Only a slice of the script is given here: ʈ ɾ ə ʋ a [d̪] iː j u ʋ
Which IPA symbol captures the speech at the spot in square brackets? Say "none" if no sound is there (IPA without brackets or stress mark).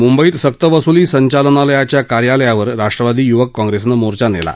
d̪